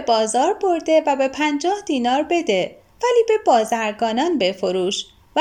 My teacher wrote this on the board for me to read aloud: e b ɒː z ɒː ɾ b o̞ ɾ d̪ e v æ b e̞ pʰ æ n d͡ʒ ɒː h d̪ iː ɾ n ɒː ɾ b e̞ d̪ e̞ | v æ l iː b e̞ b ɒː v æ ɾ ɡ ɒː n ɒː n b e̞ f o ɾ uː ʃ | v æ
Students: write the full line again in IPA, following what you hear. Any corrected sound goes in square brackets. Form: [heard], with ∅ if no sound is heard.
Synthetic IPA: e b ɒː z ɒː ɾ b o̞ ɾ d̪ e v æ b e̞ pʰ æ n d͡ʒ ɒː h d̪ iː [∅] n ɒː ɾ b e̞ d̪ e̞ | v æ l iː b e̞ b ɒː [z] æ ɾ ɡ ɒː n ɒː n b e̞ f o ɾ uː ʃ | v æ